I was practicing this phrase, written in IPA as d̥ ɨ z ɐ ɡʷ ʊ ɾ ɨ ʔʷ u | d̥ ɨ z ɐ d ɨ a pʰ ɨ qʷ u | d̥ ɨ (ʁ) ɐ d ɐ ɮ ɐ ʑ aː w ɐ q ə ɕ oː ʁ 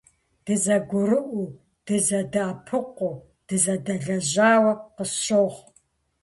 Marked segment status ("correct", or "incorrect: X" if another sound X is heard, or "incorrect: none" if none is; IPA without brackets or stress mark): incorrect: z